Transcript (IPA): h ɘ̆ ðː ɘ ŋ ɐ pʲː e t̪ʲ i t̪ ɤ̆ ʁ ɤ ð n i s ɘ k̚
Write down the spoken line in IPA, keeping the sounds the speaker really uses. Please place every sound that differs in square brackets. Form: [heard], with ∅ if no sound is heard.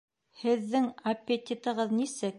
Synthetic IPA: h ɘ̆ ðː ɘ ŋ ɐ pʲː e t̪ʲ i t̪ ɤ̆ ʁ ɤ ð n i s ɘ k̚